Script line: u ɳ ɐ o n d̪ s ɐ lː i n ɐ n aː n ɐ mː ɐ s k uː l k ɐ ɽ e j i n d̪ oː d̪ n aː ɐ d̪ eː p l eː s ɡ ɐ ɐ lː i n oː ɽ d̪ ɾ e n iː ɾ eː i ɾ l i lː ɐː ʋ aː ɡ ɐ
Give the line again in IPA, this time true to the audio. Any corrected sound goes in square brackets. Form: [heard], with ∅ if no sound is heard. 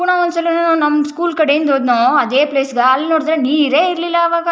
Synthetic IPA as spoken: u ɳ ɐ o n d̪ s ɐ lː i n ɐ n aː n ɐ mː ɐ s k uː l k ɐ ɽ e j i n d̪ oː d̪ n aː ɐ d̪ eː p l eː s ɡ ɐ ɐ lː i n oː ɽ d̪ ɾ e n iː ɾ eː i ɾ l i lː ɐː ʋ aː ɡ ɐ